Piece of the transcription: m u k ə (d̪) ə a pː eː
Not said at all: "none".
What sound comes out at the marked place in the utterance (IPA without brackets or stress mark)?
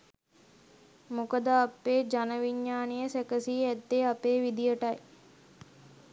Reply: d̪